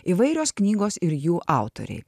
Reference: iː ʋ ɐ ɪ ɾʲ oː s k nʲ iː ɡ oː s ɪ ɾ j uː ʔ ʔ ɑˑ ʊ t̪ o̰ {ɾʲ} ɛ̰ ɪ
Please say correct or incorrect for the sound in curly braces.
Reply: correct